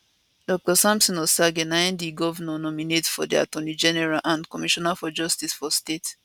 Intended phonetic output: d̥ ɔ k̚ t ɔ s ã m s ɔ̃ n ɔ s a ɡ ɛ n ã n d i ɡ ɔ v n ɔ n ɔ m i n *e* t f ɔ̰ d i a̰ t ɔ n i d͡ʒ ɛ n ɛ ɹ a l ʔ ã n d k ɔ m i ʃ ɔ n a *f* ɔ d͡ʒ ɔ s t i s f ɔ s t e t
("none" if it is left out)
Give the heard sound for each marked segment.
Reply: e, f

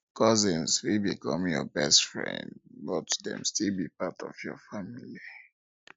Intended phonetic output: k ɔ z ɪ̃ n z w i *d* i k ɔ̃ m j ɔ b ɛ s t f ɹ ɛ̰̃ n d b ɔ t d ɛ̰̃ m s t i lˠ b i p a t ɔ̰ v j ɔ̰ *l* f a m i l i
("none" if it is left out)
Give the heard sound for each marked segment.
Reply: b, none

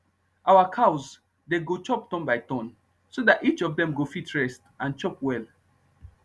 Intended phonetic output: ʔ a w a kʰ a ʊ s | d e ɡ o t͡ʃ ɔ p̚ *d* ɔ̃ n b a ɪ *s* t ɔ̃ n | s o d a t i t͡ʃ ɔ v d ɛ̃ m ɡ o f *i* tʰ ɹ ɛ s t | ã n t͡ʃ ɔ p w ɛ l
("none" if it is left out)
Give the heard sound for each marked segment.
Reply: t, none, i

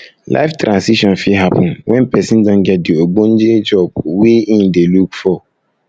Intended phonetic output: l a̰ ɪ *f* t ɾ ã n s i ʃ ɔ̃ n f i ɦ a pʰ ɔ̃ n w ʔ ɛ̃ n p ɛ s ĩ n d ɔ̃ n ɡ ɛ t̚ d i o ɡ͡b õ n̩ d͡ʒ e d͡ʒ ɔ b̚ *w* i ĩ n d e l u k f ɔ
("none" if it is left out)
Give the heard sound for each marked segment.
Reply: f, w

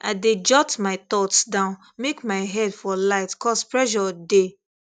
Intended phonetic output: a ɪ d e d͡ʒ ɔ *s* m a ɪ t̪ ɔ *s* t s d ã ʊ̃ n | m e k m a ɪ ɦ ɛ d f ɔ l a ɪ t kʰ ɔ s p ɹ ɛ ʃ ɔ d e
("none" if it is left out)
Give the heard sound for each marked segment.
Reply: t, none

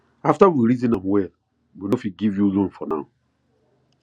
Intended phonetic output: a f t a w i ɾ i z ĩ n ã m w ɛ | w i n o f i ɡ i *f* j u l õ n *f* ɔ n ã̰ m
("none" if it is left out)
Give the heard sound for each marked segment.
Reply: v, f

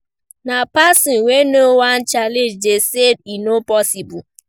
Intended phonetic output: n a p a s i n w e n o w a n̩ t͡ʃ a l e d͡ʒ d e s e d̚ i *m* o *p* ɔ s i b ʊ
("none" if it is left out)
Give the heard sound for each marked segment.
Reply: n, p

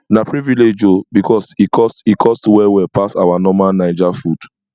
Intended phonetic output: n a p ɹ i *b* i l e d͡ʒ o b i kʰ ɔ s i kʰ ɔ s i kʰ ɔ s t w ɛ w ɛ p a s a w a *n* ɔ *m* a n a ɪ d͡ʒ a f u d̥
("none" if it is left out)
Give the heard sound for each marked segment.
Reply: v, n, m

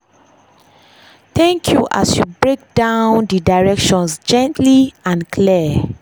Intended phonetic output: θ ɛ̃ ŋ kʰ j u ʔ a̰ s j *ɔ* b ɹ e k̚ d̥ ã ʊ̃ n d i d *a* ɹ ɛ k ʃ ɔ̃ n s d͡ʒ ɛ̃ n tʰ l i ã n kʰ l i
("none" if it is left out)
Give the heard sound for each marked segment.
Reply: u, a

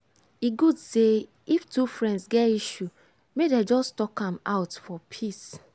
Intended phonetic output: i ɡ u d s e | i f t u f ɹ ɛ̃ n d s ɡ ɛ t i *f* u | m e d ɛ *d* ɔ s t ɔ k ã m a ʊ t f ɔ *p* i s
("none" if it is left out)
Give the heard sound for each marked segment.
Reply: ʃ, d͡ʒ, pʰ

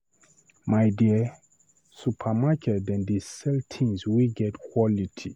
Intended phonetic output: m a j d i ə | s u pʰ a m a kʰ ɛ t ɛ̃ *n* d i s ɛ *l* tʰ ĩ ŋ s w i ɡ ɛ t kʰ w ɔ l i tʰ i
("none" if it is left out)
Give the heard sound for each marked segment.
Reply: n, l

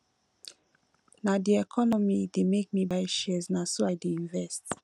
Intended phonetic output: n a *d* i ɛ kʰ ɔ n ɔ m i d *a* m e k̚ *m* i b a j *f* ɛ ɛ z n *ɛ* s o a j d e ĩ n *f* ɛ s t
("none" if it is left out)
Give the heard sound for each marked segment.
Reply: d, e, m, ʃ, a, v

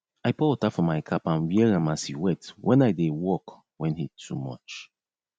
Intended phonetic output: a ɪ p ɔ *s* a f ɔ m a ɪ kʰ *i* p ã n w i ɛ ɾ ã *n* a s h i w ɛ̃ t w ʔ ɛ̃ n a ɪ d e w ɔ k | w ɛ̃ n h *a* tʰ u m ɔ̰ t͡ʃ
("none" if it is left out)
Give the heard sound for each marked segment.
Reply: t, a, m, i

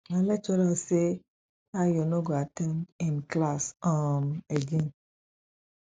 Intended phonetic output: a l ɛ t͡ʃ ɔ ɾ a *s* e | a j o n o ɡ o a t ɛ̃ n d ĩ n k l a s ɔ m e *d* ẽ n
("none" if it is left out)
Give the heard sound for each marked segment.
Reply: s, ɡ

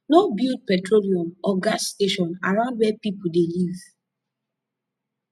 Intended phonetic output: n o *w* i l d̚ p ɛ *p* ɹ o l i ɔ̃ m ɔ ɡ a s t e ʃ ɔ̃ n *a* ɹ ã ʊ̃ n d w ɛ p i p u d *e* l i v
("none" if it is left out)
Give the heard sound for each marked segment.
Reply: b, t, a, e

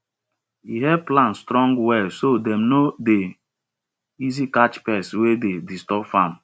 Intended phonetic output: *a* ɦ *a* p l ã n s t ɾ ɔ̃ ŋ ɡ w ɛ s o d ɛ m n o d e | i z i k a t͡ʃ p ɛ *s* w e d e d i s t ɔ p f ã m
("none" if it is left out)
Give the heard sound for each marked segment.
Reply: i, ɛ, s

